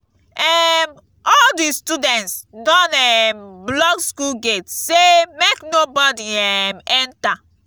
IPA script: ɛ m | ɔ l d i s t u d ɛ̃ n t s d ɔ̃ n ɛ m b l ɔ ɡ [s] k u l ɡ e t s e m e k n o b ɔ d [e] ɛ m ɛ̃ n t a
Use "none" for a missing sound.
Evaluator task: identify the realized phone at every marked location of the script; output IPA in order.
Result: s, i

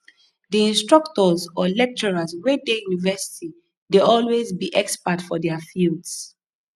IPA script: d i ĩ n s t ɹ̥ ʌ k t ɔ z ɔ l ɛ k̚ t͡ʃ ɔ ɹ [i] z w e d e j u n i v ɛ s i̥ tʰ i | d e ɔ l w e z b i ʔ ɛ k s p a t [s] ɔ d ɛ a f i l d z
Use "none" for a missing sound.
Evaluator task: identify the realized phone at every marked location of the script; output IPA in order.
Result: a, f

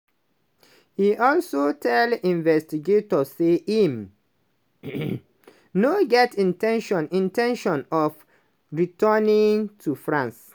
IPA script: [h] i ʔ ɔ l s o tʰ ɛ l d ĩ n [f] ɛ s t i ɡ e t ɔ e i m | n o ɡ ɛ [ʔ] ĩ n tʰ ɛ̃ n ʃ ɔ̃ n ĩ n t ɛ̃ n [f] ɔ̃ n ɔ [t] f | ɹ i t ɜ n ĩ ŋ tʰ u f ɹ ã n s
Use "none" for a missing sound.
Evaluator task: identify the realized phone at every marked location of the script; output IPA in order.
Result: h, v, t, ʃ, none

